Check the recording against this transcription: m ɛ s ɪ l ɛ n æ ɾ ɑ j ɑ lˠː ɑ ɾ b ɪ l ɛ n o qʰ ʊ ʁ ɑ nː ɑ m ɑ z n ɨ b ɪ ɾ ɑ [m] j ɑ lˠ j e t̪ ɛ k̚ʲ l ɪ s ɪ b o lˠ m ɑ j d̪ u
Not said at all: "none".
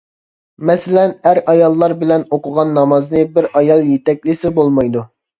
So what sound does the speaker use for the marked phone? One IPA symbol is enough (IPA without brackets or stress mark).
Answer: none